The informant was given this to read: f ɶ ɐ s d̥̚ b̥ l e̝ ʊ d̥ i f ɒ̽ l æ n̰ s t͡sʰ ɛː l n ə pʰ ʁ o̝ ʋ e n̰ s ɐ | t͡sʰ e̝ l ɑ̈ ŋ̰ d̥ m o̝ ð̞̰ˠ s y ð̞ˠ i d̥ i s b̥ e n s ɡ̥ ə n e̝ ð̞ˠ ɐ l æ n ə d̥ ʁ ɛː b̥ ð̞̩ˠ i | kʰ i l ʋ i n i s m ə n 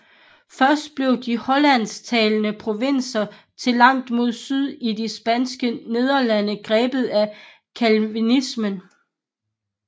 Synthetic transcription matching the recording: f ɶ ɐ s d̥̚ b̥ l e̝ ʊ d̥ i h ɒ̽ l æ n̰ s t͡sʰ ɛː l n ə pʰ ʁ o̝ ʋ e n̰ s ɐ | t͡sʰ e̝ l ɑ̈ ŋ̰ d̥ m o̝ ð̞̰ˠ s y ð̞ˠ i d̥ i s b̥ æ n s ɡ̥ ə n e̝ ð̞ˠ ɐ l æ n ə ɡ̥ ʁ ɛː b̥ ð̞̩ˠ æ | kʰ æ l ʋ i n i s m ə n